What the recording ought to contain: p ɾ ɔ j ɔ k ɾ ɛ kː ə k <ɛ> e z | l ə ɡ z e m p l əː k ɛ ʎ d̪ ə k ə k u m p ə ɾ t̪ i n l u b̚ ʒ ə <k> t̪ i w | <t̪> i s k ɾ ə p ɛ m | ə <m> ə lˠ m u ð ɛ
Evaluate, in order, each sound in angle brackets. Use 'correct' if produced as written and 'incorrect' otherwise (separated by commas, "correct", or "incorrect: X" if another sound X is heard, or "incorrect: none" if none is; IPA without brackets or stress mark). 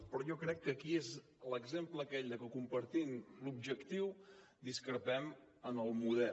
incorrect: i, correct, incorrect: d̪, incorrect: n